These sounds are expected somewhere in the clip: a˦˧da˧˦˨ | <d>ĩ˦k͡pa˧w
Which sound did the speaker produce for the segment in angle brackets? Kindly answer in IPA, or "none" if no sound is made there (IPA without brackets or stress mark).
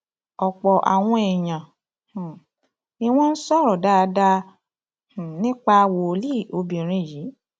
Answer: n